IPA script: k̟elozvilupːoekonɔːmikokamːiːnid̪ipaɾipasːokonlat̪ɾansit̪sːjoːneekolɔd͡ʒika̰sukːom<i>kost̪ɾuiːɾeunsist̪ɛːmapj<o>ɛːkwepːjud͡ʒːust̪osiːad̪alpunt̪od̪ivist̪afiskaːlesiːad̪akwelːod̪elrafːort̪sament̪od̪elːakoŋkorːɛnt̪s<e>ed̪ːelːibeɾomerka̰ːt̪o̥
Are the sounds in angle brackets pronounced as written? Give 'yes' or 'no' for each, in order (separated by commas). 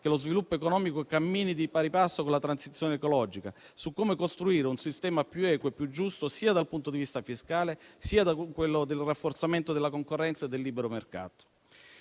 no, no, no